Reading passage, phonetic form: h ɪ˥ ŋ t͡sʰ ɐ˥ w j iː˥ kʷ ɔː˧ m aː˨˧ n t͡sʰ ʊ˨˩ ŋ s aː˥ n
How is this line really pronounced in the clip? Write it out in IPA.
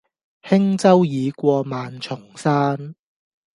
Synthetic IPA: h ɪ˥ ŋ t͡s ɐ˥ w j iː˨˧ kʷ ɔː˧ m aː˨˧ n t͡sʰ ʊ˨˩ ŋ s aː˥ n